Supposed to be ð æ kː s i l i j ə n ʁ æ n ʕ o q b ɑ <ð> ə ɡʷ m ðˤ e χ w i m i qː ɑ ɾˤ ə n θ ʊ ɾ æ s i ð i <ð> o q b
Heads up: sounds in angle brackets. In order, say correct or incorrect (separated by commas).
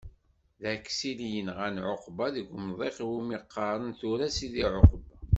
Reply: correct, incorrect